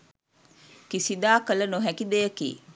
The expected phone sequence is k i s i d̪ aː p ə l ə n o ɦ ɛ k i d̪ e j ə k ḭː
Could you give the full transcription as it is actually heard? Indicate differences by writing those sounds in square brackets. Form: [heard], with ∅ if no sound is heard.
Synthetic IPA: k i s i d̪ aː [k] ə l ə n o ɦ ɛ k i d̪ e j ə k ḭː